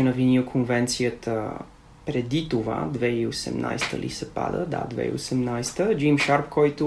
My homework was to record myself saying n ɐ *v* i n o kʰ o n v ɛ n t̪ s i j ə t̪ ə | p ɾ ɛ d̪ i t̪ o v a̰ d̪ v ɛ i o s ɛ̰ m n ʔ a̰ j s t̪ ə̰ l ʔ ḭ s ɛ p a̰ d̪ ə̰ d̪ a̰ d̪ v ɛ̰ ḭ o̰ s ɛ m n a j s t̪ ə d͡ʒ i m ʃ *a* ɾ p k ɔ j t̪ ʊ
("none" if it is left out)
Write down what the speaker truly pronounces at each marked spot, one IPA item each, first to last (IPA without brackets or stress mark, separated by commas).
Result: v, a